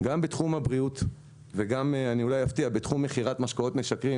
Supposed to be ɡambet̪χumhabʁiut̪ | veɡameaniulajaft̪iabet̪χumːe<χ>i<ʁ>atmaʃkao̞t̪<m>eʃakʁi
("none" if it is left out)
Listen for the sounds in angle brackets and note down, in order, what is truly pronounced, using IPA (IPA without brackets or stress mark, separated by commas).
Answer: χ, ʁ, m